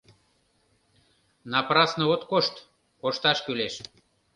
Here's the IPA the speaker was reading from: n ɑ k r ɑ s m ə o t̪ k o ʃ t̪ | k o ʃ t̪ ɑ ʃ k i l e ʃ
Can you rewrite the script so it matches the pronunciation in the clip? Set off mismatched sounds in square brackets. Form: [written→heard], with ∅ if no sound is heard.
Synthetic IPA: n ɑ [k→p] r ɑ s [m→n] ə o t̪ k o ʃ t̪ | k o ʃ t̪ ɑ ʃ k [i→y] l e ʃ